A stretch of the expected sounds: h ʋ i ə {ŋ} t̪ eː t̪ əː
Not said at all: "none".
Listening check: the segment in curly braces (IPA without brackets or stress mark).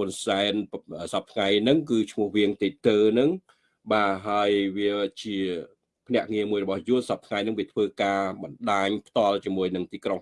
ŋ